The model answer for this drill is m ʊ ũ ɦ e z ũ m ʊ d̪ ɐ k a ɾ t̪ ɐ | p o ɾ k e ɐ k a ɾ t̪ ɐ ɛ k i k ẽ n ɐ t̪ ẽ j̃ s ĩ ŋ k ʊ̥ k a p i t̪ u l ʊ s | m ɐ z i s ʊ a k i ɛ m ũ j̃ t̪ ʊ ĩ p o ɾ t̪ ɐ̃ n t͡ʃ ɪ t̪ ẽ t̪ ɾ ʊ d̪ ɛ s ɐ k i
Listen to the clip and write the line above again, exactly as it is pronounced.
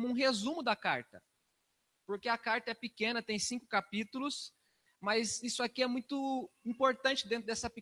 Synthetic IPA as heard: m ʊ ũ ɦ e z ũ m ʊ d̪ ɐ k a ɾ t̪ ɐ | p o ɾ k e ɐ k a ɾ t̪ ɐ ɛ p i k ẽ n ɐ t̪ ẽ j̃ s ĩ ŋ k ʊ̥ k a p i t̪ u l ʊ s | m ɐ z i s ʊ a k i ɛ m ũ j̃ t̪ ʊ ĩ p o ɾ t̪ ɐ̃ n t͡ʃ ɪ d̪ ẽ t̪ ɾ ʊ d̪ ɛ s ɐ p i